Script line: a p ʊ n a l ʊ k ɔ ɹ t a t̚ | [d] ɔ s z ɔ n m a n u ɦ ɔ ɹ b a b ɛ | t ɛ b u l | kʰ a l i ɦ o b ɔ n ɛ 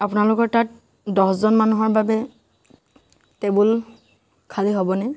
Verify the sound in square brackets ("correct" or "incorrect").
correct